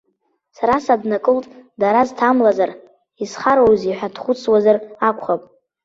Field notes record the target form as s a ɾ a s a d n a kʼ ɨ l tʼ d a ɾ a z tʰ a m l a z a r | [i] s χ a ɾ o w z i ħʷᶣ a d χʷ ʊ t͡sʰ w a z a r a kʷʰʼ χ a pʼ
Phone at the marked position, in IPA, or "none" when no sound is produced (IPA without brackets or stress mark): i